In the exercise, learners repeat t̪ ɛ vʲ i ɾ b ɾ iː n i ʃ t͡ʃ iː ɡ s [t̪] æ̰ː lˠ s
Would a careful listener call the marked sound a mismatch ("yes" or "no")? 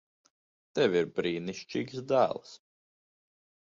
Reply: yes